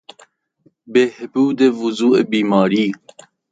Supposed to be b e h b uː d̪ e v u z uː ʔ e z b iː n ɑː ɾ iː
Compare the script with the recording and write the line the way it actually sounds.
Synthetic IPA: b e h b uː d̪ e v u z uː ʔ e b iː m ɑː ɾ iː